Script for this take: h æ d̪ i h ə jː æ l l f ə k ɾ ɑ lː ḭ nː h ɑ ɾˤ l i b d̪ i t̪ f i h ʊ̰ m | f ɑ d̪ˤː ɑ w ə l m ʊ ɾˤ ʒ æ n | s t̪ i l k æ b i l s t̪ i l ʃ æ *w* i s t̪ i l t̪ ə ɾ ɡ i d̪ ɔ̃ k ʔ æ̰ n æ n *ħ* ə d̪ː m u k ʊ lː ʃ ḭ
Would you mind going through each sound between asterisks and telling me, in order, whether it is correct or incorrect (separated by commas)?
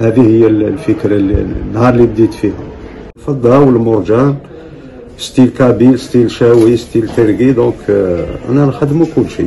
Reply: correct, incorrect